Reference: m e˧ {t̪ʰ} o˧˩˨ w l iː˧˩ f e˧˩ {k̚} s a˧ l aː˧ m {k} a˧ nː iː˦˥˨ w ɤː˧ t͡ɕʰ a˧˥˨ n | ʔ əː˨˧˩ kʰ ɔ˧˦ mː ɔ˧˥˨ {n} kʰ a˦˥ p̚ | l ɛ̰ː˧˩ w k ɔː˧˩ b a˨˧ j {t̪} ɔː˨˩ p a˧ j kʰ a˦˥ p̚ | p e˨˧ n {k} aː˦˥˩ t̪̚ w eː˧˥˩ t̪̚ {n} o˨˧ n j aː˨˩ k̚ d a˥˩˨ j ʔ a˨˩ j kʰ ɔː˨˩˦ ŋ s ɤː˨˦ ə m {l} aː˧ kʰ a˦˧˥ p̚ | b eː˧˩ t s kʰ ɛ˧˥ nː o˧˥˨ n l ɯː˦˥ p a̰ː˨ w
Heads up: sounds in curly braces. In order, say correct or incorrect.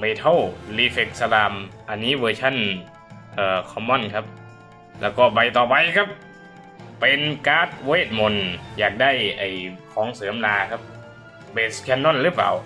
correct, correct, incorrect, correct, correct, correct, incorrect, correct

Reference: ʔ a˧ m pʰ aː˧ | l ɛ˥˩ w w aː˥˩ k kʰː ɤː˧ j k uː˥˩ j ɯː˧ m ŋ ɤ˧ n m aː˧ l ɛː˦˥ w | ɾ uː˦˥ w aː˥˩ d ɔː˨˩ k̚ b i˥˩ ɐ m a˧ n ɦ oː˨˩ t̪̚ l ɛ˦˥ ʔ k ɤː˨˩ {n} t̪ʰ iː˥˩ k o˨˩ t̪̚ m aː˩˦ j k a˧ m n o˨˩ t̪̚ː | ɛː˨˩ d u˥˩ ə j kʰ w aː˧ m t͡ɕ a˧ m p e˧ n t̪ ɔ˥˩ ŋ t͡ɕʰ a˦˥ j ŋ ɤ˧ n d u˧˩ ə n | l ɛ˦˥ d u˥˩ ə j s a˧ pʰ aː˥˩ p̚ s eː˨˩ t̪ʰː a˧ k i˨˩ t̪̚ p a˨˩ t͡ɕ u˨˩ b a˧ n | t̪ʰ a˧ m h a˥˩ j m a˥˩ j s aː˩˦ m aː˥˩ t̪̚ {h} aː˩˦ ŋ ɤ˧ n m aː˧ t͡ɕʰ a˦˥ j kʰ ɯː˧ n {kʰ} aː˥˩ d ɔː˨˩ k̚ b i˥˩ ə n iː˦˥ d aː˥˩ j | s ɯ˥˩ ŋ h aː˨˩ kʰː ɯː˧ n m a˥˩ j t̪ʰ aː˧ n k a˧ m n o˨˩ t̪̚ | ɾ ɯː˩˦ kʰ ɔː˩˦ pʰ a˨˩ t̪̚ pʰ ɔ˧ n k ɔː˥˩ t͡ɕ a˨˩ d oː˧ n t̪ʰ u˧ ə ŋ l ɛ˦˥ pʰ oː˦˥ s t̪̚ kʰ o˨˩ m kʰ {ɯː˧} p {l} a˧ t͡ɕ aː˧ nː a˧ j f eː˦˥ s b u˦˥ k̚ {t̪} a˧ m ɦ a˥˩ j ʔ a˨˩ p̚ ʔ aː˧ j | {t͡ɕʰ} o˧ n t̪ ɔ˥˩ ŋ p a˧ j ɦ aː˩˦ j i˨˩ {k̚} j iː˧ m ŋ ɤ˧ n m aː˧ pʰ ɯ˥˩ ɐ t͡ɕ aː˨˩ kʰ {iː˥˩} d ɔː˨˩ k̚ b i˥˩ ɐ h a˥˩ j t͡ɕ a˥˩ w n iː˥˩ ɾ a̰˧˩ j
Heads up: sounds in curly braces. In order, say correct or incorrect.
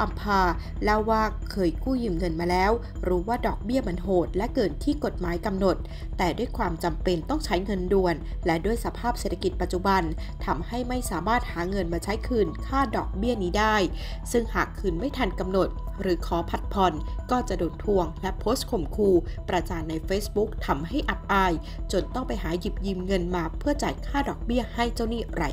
correct, correct, correct, incorrect, incorrect, incorrect, incorrect, incorrect, incorrect

